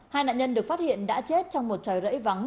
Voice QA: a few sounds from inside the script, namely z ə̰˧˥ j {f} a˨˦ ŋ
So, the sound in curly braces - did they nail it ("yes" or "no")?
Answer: no